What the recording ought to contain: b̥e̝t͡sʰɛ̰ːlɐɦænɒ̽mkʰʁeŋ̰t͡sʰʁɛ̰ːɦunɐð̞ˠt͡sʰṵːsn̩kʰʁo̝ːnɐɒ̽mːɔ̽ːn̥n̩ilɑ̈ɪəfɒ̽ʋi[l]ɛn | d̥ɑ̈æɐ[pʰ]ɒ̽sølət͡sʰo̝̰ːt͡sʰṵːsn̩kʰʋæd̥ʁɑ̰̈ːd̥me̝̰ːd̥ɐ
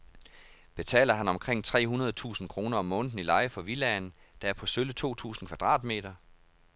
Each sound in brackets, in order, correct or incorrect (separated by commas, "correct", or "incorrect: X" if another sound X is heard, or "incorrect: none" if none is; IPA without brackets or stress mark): correct, correct